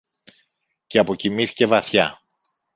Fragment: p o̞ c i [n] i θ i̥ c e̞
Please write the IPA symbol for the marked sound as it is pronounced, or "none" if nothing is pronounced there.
m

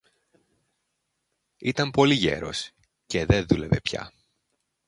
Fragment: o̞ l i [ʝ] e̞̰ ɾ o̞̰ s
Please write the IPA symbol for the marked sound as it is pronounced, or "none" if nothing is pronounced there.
ʝ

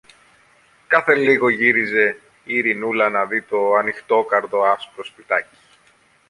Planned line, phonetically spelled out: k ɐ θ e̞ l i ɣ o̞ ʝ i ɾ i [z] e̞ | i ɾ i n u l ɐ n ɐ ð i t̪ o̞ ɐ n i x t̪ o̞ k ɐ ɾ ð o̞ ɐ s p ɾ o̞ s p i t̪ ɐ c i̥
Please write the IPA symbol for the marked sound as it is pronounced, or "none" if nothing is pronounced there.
z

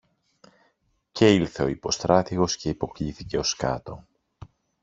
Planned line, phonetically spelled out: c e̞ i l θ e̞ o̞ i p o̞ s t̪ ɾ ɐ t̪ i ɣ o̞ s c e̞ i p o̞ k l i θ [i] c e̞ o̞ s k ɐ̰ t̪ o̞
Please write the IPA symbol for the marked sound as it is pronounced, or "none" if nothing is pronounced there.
i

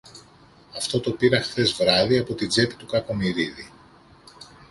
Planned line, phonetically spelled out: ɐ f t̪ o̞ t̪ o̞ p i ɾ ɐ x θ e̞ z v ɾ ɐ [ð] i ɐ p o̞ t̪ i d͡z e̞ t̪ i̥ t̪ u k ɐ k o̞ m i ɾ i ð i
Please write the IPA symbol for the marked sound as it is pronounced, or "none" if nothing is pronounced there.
ð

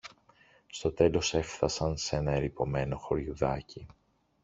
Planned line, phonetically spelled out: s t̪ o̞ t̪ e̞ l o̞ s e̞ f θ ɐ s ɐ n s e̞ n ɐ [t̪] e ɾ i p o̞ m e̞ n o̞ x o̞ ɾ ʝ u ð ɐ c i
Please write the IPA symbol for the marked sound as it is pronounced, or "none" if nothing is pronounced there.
none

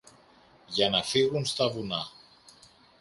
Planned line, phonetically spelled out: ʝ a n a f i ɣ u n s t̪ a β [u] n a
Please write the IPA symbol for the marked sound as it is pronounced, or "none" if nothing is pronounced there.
u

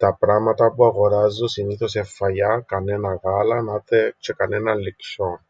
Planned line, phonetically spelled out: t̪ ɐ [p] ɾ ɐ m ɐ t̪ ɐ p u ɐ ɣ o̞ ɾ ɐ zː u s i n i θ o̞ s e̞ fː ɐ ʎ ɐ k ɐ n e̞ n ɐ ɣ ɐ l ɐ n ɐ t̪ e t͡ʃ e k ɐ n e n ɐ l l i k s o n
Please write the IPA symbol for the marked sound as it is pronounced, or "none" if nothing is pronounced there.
p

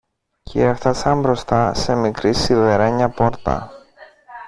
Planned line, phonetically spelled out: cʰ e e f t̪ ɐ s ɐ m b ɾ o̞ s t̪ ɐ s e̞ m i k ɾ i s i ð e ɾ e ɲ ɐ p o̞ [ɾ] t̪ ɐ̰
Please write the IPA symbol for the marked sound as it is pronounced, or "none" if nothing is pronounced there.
ɾ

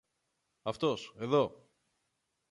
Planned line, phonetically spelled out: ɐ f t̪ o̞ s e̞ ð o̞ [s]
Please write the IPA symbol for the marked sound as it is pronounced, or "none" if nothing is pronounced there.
none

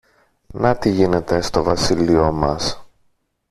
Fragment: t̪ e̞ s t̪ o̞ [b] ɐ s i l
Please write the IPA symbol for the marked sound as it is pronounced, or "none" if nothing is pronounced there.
v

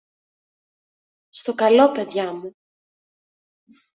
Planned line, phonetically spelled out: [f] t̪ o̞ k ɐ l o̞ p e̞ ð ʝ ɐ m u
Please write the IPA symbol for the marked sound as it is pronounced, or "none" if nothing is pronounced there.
s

